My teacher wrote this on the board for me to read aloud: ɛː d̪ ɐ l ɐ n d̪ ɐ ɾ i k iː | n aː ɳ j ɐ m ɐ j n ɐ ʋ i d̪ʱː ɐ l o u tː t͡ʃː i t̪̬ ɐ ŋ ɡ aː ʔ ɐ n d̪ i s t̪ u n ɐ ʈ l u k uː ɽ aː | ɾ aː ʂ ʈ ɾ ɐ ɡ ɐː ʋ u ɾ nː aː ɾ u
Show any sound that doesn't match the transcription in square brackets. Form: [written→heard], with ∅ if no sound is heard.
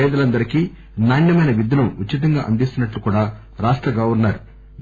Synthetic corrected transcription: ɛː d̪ ɐ l ɐ n d̪ ɐ ɾ i k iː | n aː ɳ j ɐ m ɐ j n ɐ ʋ i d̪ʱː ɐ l [o→u] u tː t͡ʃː i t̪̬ ɐ ŋ ɡ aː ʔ ɐ n d̪ i s t̪ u n ɐ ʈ l u k uː ɽ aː | ɾ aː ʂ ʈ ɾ ɐ ɡ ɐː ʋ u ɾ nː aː ɾ u